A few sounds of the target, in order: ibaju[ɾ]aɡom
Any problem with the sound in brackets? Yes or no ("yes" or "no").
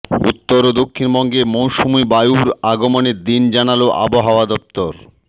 no